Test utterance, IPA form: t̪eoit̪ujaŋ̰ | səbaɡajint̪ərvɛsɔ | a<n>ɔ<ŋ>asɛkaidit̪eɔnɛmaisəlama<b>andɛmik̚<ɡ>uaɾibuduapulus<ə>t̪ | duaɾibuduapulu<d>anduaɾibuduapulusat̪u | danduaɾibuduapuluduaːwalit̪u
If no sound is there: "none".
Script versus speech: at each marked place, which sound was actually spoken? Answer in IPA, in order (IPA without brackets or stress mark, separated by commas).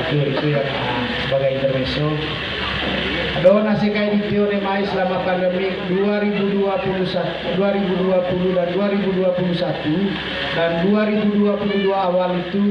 d, n, p, d, a, d